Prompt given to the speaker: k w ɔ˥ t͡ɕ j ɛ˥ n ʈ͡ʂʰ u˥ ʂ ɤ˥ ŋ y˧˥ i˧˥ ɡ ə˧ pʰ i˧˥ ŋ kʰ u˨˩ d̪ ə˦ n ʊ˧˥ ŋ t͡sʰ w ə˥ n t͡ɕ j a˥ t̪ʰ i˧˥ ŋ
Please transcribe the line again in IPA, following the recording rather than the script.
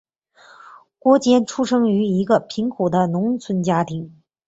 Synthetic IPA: k w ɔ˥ t͡ɕ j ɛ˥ n ʈ͡ʂʰ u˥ ʂ ɤ˥ ŋ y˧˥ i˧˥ ɡ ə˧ pʰ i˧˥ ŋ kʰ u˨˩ d̪ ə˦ n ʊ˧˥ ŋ t͡sʰ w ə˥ n t͡ɕ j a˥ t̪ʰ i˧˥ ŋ